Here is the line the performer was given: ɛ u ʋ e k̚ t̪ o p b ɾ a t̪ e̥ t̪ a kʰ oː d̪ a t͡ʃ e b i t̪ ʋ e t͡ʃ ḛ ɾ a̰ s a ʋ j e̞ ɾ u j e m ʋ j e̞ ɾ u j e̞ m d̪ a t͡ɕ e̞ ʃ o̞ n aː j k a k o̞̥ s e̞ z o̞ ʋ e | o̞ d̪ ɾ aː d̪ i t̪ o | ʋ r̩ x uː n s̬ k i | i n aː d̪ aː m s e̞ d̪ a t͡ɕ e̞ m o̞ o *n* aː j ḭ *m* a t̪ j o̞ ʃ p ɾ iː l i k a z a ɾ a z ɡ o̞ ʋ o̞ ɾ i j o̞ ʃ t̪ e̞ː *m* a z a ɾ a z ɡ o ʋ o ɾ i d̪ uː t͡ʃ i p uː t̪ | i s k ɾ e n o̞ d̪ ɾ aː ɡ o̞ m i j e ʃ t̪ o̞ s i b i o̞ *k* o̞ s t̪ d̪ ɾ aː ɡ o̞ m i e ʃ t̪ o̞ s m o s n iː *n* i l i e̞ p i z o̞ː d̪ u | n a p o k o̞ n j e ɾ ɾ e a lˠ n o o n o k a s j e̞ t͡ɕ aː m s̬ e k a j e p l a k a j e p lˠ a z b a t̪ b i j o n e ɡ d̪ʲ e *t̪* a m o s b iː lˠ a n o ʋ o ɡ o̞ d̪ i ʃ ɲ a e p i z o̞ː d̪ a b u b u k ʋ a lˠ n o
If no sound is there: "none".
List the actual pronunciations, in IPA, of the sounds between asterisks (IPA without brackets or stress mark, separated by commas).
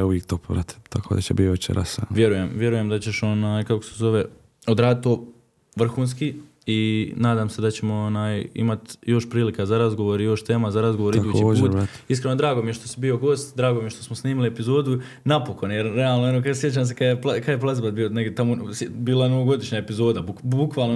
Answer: n, m, m, ɡ, m, t̪